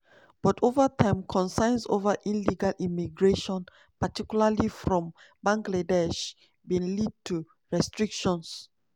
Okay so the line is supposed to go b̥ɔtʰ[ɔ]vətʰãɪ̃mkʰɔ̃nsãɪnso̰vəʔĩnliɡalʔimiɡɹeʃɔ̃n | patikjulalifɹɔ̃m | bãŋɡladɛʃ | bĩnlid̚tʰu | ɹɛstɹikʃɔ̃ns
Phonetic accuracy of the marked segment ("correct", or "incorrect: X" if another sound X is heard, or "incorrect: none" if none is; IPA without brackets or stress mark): incorrect: o